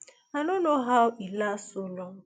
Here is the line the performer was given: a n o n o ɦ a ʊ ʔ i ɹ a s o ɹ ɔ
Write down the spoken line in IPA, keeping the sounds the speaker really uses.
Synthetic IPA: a n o n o ɦ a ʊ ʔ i l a s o l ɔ